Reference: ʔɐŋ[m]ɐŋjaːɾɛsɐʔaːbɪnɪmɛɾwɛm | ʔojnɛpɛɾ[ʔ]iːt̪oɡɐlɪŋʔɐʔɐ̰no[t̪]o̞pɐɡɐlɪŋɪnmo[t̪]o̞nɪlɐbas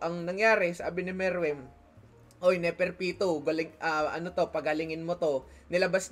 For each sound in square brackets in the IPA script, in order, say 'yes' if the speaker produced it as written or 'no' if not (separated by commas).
no, no, yes, yes